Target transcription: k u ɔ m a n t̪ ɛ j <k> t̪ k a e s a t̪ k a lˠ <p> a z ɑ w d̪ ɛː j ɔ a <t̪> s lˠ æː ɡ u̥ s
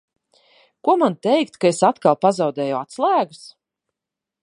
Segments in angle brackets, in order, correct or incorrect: correct, correct, correct

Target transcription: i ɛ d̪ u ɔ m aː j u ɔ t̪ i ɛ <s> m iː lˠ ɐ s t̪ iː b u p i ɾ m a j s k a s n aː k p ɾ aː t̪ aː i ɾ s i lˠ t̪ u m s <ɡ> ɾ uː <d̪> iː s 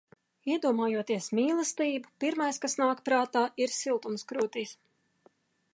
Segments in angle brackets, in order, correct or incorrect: correct, incorrect, incorrect

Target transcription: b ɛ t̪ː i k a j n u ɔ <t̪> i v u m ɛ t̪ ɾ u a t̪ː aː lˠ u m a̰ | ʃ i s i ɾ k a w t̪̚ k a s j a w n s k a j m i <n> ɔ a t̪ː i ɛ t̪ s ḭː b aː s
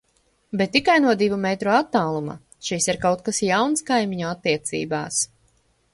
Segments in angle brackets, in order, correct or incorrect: incorrect, incorrect

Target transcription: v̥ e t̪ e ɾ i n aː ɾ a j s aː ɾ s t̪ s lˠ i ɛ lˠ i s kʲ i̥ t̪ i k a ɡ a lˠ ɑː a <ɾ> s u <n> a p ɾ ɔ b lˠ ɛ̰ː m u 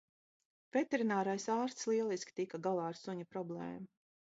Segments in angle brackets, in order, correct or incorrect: correct, incorrect

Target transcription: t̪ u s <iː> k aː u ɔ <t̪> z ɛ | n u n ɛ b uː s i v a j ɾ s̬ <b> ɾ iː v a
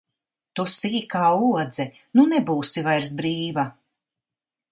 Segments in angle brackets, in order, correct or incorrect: correct, incorrect, correct

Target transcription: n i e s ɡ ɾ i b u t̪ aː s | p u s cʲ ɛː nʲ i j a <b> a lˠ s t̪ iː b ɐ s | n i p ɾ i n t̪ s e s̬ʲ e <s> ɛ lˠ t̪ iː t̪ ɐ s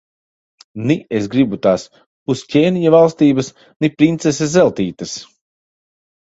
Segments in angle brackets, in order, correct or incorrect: incorrect, incorrect

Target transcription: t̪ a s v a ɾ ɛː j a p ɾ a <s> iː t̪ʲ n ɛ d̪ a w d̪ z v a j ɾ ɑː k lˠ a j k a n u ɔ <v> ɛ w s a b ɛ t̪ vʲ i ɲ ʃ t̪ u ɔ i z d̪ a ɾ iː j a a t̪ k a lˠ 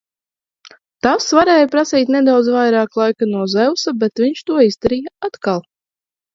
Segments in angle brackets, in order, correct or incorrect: correct, incorrect

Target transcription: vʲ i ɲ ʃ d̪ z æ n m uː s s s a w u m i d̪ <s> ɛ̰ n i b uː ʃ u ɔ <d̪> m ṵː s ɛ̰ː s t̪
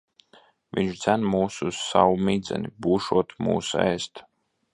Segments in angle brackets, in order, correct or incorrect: incorrect, incorrect

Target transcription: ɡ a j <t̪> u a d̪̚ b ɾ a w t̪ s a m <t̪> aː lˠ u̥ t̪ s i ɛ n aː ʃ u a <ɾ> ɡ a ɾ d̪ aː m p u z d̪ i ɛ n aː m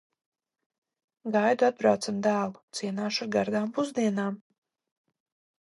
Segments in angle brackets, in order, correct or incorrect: incorrect, incorrect, correct

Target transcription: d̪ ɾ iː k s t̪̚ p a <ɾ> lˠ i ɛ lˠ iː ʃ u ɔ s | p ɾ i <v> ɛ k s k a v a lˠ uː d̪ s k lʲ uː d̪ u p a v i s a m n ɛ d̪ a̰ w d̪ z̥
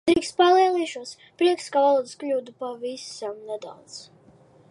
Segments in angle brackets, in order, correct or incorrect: incorrect, incorrect

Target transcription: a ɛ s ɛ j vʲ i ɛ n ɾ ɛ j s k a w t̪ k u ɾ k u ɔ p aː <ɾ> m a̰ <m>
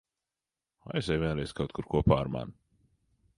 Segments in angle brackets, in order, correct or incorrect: correct, incorrect

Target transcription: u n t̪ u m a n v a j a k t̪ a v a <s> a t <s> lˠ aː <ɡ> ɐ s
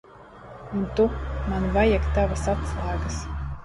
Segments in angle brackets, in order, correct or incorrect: correct, correct, correct

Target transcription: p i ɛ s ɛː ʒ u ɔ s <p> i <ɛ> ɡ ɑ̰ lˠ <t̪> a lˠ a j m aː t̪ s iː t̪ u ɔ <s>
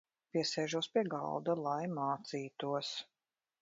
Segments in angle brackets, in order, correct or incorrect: correct, correct, incorrect, correct

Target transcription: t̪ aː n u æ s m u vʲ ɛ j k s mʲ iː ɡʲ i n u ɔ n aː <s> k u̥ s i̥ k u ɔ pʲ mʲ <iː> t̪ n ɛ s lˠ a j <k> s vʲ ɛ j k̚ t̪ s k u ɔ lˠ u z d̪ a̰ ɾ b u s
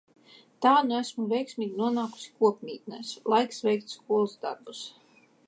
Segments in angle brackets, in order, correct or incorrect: incorrect, correct, correct

